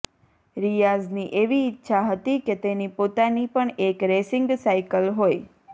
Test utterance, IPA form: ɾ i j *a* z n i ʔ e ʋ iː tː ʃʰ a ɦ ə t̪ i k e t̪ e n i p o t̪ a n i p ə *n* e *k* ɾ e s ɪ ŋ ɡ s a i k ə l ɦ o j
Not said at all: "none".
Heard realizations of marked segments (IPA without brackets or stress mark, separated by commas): a, ɳ, k